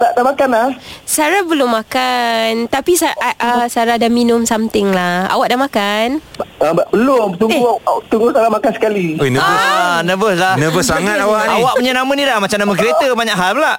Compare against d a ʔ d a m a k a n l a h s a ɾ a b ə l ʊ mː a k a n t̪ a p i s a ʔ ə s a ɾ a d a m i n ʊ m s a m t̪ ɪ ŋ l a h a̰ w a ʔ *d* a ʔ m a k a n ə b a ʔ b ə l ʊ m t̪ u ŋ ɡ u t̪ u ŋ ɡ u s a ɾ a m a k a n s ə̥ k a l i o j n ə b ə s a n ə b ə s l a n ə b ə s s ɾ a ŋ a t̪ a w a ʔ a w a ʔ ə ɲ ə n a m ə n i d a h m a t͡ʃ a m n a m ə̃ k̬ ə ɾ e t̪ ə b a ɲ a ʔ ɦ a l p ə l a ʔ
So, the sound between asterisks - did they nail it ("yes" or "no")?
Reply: yes